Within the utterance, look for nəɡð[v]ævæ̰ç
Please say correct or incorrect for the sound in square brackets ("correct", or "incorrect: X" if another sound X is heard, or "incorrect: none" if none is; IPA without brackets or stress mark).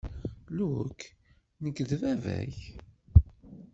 correct